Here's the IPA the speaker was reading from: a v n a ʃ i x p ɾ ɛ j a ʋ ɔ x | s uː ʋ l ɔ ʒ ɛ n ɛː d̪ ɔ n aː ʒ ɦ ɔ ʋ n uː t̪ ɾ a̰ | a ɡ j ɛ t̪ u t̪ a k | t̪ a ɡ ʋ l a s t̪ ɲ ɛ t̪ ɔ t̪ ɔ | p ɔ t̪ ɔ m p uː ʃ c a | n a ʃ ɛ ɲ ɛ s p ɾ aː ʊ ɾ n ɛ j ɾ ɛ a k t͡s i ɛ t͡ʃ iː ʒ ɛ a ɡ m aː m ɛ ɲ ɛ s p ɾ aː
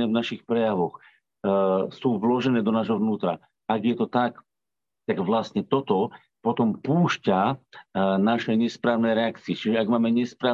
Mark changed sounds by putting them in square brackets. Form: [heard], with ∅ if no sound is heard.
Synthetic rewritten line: [ɛ] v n a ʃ i x p ɾ ɛ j a ʋ ɔ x | s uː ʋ l ɔ ʒ ɛ n ɛː d̪ ɔ n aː ʒ ɦ ɔ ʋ n uː t̪ ɾ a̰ | a ɡ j ɛ t̪ [ɔ] t̪ a k | t̪ a ɡ ʋ l a s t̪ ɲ ɛ t̪ ɔ t̪ ɔ | p ɔ t̪ ɔ m p uː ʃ c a | n a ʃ ɛ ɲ ɛ s p ɾ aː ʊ [∅] n ɛ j ɾ ɛ a k t͡s i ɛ t͡ʃ [i] ʒ ɛ a ɡ m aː m ɛ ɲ ɛ s p ɾ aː